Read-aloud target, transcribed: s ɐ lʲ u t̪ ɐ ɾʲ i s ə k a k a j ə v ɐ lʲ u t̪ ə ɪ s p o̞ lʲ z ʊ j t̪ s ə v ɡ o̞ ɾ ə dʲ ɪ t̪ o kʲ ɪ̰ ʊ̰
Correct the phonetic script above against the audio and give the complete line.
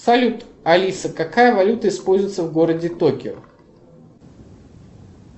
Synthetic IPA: s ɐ lʲ u t̪ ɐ lʲ i s ə k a k a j ə v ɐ lʲ u t̪ ə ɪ s p o̞ lʲ z ʊ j t̪ s ə v ɡ o̞ ɾ ə dʲ ɪ t̪ o kʲ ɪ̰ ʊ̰